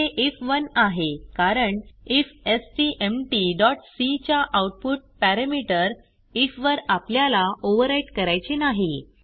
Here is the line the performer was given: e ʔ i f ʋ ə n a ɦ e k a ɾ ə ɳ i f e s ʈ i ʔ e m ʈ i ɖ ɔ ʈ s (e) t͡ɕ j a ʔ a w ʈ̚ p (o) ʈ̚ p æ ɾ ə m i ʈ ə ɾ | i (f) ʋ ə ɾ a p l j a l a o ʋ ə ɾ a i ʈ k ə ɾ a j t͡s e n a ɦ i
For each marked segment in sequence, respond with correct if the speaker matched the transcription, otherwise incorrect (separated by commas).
incorrect, incorrect, correct